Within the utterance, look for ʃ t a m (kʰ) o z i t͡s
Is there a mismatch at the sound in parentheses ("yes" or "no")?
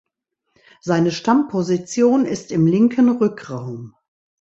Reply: yes